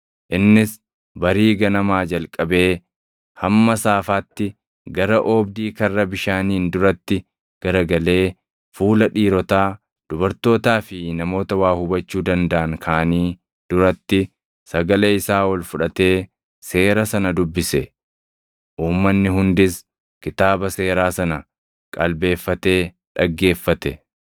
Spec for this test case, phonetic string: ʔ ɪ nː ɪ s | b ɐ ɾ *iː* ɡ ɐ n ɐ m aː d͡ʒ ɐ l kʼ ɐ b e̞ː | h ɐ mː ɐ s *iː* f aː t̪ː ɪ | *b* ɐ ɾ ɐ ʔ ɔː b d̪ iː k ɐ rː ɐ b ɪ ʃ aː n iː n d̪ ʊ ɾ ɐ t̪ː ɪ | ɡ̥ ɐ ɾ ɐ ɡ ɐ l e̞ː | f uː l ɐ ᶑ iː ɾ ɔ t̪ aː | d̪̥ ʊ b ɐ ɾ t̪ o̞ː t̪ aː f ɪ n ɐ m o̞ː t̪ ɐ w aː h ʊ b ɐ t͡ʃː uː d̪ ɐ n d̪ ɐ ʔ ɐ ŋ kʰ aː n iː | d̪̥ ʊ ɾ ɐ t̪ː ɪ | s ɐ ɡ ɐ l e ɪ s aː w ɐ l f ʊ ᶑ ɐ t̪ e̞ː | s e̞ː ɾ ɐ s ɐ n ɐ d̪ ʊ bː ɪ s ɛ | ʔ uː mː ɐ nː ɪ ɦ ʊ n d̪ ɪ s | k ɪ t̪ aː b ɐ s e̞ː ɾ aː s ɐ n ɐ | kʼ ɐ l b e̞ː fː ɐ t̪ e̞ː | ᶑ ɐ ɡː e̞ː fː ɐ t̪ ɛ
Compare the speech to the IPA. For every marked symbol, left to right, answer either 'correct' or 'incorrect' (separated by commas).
correct, incorrect, incorrect